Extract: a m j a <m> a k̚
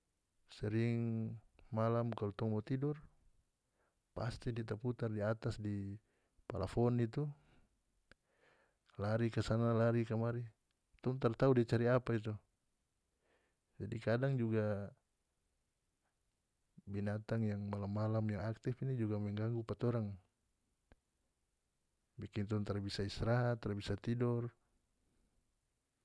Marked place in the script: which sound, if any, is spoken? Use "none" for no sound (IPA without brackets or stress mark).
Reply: ŋ